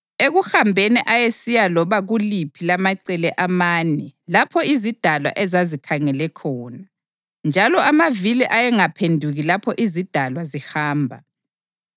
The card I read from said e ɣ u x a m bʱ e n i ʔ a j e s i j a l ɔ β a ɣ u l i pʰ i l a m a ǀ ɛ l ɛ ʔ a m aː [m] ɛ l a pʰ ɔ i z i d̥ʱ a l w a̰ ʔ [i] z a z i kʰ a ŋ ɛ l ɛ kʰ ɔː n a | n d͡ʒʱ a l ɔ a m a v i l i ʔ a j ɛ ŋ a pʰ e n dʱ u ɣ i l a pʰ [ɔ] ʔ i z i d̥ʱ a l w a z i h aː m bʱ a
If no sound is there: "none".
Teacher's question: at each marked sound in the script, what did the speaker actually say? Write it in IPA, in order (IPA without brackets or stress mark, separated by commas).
n, ɛ, ɔ